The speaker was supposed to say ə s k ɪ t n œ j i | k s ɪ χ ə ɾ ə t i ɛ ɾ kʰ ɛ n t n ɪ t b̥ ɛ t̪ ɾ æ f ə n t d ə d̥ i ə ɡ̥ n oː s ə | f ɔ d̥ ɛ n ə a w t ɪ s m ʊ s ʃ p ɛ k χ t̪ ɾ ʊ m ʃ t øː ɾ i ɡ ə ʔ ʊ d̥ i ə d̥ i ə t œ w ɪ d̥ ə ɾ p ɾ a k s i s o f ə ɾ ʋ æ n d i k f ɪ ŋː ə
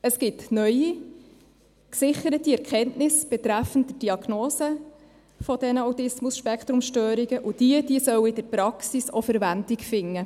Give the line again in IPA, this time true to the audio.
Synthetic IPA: ə s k ɪ t n œ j i | k s ɪ χ ə ɾ ə t i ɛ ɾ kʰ ɛ n t n ɪ s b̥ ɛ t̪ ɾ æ f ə n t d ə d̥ i ɑ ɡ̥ n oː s ə | f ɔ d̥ ɛ n ə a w t ɪ s m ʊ s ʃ p ɛ k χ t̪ ɾ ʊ m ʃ t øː ɾ i ɡ ə ʔ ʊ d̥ i ə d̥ i ə s œ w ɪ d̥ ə ɾ p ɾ ɑ k s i s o f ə ɾ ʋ æ n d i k f ɪ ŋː ə

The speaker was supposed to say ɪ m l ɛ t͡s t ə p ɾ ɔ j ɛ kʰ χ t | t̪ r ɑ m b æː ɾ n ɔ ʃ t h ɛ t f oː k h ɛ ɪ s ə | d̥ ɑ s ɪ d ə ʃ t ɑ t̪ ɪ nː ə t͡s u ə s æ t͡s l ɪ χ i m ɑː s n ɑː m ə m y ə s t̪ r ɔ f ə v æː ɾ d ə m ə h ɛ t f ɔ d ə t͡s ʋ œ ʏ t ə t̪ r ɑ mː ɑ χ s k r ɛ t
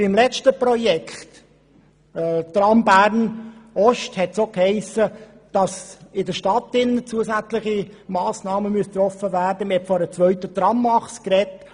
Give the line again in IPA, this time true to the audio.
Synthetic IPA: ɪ m l ɛ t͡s t ə p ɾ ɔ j ɛ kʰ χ t | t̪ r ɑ m b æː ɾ n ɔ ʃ t h ɛ t s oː k h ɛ ɪ s ə | d̥ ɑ s ɪ d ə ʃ t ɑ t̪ ɪ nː ə t͡s u ə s æ t͡s l ɪ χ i m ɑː s n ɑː m ə m y ə s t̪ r ɔ f ə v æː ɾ d ə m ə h ɛ t f ɔ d ə t͡s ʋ œ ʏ t ə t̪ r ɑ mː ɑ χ s k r ɛ t

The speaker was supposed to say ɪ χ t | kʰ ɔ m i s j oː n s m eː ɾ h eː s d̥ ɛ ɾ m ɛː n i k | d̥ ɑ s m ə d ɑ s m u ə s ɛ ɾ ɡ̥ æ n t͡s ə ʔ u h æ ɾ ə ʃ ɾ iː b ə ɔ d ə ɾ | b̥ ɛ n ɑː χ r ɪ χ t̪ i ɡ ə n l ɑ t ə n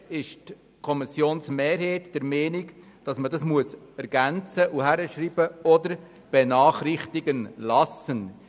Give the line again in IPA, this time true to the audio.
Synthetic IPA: ɪ ʃ t | kʰ ɔ m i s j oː n s m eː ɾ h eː t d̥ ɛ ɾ m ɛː n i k | d̥ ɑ s m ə d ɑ s m u ə s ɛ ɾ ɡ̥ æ n t͡s ə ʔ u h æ ɾ ə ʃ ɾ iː b ə ɔ d ə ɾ | b̥ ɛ n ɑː χ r ɪ χ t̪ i ɡ ə n l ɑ s ə n

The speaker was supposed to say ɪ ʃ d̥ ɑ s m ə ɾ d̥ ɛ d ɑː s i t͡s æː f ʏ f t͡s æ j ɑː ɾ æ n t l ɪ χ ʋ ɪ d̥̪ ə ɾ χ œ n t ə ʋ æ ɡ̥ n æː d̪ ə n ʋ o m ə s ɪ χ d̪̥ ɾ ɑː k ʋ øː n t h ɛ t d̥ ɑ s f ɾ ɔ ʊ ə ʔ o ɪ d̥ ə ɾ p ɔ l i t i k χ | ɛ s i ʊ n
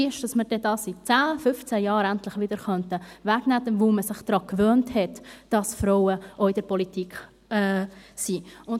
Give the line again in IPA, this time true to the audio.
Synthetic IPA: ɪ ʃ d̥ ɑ s m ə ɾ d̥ ɛ d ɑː s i t͡s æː f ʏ f t͡s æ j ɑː ɾ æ n t l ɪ χ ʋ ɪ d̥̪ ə ɾ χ œ n t ə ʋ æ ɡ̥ n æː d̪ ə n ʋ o m ə s ɪ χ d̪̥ ɾ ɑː k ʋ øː n t h ɛ t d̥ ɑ s f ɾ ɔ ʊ ə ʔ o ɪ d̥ ə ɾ p ɔ l i t i k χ | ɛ s i ʊ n

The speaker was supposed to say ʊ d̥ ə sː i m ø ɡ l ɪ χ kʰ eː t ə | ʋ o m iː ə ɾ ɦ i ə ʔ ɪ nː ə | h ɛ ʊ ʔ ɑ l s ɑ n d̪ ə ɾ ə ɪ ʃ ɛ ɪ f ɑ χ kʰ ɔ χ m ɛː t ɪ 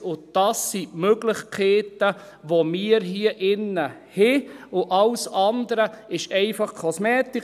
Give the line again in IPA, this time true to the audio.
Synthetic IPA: ʊ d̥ ɑ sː i m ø ɡ l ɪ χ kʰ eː t ə | ʋ o m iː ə ɾ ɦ i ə ʔ ɪ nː ə | h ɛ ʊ ʔ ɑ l s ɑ n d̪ ə ɾ ə ɪ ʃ ɛ ɪ f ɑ χ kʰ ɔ s m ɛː t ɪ

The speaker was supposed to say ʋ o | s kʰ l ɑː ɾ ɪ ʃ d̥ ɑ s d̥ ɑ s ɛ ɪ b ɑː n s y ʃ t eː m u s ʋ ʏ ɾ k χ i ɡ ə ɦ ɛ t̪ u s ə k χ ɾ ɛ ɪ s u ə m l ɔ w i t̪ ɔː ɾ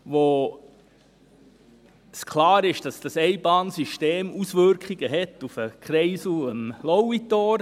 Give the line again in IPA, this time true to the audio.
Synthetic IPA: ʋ o | s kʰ l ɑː ɾ ɪ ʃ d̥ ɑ s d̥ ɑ s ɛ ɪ b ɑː n s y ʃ t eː m u s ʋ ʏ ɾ k χ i ɡ ə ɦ ɛ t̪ u f ə k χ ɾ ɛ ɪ s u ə m l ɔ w i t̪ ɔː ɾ

